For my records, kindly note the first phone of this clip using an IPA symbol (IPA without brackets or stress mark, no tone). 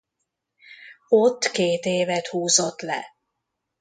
o